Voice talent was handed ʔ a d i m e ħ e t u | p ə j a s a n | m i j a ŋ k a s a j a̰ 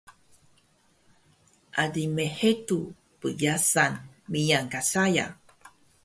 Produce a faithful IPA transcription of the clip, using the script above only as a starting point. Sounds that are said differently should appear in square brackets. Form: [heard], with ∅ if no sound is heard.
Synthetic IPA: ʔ a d i m e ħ e t u | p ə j a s a n | m i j a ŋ k a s a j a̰